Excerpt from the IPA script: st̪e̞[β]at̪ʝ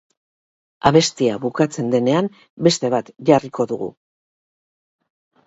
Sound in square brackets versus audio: correct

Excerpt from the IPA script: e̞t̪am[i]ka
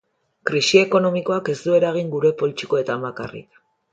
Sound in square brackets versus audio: incorrect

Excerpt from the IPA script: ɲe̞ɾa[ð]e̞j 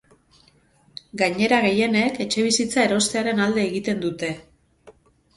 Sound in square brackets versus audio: incorrect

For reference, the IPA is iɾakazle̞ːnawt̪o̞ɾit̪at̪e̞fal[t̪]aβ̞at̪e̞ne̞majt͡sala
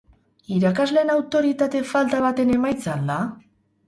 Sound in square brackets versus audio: correct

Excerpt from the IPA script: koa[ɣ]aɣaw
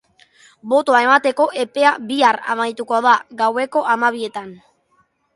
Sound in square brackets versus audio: incorrect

